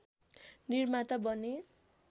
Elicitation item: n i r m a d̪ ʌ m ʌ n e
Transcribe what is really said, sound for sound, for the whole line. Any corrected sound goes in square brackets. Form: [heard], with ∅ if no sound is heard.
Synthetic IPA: n i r m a [t̪] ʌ [b] ʌ n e